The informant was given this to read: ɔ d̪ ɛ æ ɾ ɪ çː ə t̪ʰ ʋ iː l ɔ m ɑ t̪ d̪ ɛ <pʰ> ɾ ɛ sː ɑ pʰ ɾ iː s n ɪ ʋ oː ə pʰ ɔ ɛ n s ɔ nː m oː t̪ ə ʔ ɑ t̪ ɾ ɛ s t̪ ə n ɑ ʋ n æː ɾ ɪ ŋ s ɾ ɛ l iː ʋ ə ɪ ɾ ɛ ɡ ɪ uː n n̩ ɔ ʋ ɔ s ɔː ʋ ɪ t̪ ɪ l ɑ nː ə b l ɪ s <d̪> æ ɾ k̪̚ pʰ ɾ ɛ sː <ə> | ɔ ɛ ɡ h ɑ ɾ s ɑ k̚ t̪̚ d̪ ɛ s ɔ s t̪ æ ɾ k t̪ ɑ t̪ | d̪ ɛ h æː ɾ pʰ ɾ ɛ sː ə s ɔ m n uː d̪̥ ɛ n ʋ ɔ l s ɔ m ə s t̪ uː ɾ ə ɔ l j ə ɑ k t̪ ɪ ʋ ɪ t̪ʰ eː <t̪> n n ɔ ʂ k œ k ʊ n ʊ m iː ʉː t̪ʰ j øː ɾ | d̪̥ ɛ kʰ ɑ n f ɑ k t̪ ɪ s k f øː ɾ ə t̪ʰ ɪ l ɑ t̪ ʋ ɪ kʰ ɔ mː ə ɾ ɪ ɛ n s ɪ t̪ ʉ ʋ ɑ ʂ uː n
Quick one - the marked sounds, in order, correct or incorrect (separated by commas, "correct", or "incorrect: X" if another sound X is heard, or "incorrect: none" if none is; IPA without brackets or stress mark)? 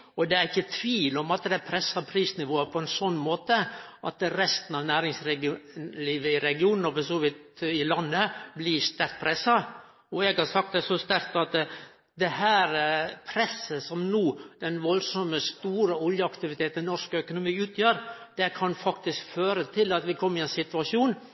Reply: correct, incorrect: t̪, incorrect: ɑ, correct